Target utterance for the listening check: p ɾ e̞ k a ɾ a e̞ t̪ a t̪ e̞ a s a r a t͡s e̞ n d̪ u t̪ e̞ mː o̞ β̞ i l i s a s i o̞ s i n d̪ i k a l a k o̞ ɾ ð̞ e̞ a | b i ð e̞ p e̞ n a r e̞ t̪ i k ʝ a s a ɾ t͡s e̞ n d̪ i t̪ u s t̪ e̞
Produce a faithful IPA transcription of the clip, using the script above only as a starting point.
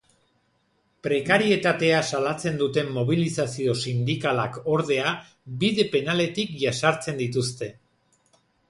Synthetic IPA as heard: p ɾ e̞ k a ɾ i e̞ t̪ a t̪ e̞ a s a l a t͡s e̞ n d̪ u t̪ e̞ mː o̞ β̞ i l i s a s i o̞ s i n d̪ i k a l a k o̞ ɾ ð̞ e̞ a | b i ð e̞ p e̞ n a l e̞ t̪ i k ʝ a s a ɾ t͡s e̞ n d̪ i t̪ u s t̪ e̞